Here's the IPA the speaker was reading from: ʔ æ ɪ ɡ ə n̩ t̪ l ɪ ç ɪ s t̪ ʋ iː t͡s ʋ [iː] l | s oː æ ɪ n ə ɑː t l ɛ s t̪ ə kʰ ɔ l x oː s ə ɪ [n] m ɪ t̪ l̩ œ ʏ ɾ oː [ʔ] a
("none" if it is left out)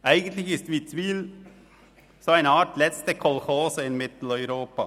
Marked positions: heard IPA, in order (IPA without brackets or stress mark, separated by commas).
iː, n, p